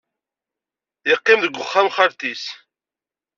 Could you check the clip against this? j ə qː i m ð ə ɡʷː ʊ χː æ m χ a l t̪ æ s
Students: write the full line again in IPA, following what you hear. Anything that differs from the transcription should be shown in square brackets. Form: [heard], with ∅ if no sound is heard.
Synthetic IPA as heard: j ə qː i m ð ə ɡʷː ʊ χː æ m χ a [ɾ] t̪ [i] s